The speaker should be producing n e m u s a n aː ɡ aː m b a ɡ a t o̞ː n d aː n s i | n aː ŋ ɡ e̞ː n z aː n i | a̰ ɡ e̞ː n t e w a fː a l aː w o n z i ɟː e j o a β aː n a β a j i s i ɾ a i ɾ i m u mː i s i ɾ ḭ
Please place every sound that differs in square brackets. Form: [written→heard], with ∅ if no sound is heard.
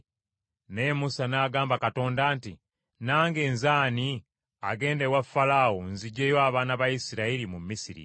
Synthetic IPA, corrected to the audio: n e m u s a n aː ɡ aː m b a [ɡ→k] a t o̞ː n d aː n [s→t] i | n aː ŋ ɡ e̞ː n z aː n i | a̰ ɡ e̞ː n [t→d] e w a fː a l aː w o n z i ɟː e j o a β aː n a β a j i s i ɾ a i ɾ i m u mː i s i ɾ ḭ